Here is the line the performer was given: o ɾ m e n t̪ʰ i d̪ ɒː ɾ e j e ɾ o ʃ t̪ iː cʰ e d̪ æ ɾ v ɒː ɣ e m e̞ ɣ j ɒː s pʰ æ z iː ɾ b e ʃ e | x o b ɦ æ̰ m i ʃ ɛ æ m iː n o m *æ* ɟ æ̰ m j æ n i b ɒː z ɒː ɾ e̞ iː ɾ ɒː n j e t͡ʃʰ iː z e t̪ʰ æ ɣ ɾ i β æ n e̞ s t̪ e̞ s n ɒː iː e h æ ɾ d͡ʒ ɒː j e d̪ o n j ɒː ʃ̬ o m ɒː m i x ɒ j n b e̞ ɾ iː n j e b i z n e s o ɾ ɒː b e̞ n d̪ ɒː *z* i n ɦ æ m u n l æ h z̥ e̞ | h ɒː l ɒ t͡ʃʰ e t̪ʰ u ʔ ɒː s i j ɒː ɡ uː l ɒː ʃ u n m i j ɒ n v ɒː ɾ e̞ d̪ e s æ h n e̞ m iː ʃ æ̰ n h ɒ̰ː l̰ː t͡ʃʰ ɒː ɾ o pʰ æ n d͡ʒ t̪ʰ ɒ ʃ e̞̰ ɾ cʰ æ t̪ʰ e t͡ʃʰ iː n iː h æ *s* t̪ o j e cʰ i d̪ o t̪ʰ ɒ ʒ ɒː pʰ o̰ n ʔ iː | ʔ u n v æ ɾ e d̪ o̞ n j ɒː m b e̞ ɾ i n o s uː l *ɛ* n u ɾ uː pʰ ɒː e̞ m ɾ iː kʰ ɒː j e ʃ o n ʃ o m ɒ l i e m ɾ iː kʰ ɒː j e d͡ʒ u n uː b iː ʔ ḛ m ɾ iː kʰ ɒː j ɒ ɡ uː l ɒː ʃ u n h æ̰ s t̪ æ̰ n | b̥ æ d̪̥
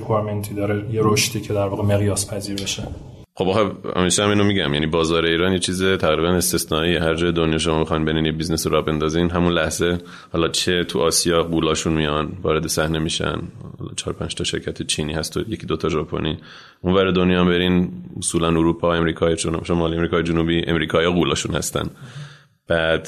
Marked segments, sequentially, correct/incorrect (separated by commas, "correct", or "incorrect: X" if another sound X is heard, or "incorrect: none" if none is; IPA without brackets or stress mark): incorrect: i, correct, correct, incorrect: æ